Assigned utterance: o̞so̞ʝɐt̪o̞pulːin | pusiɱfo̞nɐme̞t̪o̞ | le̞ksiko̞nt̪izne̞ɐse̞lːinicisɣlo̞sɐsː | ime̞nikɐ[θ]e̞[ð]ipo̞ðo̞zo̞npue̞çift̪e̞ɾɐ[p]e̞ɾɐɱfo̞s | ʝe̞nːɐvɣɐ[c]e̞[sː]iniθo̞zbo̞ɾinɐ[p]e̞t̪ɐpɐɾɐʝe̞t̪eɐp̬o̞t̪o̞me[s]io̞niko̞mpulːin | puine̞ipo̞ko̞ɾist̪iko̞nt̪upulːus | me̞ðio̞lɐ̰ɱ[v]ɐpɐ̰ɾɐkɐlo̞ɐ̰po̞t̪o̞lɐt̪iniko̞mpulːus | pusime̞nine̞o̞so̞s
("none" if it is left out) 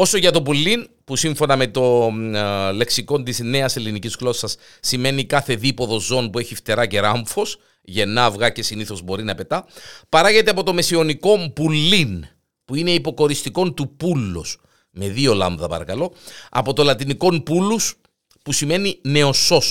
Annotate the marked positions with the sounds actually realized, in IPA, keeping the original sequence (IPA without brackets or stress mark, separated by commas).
θ, ð, c, c, s, p, s, ð